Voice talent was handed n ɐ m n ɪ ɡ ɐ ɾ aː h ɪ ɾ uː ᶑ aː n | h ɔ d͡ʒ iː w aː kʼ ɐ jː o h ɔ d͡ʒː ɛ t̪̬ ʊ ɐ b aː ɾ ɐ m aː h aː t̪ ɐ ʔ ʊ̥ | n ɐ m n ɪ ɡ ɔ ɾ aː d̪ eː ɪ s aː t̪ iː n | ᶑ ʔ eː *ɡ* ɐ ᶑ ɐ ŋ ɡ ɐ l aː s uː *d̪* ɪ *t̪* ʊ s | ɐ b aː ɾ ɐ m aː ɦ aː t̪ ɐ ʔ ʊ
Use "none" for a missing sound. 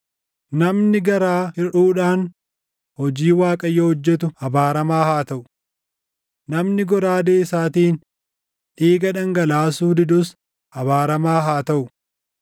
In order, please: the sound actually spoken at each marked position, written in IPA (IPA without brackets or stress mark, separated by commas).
ɡ, d̪, d̪